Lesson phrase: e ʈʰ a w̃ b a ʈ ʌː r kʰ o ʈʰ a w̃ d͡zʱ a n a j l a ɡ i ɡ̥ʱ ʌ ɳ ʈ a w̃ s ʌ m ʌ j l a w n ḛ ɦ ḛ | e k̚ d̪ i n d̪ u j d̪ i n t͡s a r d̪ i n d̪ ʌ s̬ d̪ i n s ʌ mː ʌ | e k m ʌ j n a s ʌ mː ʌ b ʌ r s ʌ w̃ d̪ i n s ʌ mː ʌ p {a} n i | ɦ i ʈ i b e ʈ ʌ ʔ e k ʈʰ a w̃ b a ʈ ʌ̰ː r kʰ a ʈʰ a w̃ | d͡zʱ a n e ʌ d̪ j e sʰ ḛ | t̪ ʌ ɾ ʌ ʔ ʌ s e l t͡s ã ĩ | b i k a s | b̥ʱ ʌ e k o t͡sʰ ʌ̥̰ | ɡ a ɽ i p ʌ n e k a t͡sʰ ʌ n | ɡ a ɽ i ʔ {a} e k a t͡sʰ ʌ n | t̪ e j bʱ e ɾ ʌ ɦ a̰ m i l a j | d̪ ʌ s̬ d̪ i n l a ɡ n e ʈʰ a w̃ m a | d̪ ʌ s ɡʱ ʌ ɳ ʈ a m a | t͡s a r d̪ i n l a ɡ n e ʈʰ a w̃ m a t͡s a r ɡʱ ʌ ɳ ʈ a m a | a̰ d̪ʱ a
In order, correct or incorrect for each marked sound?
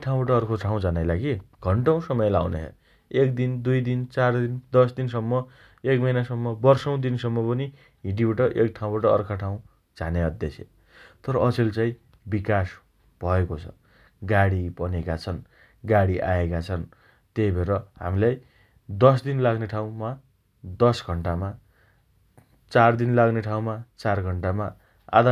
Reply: incorrect: ʌ, correct

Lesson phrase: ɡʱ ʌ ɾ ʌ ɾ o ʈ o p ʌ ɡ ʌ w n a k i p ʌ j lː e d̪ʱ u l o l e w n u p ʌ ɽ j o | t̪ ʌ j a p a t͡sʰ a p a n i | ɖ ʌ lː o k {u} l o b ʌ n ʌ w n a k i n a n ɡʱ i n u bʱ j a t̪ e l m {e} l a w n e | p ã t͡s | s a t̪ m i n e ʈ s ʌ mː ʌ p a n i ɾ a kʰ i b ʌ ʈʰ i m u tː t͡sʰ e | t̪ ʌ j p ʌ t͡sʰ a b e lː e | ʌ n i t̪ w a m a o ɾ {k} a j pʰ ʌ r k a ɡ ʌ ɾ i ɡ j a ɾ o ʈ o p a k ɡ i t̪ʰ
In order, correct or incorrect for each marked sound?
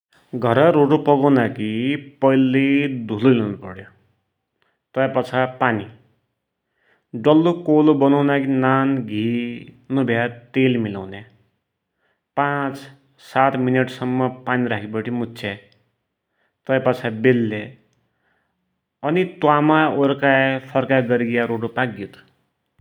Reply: incorrect: o, incorrect: i, correct

